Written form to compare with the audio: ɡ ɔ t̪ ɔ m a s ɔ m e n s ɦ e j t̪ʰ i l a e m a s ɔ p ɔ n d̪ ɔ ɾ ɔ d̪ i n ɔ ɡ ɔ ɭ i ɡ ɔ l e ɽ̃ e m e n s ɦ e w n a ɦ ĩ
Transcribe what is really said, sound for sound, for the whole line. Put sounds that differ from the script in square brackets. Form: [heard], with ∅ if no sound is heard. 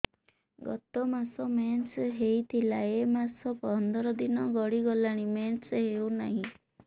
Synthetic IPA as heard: ɡ ɔ t̪ ɔ m a s ɔ m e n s ɦ e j t̪ʰ i l a e m a s ɔ p ɔ n d̪ ɔ ɾ ɔ d̪ i n ɔ ɡ ɔ [ɽ] i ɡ ɔ l [a] ɽ̃ [i] m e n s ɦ e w n a ɦ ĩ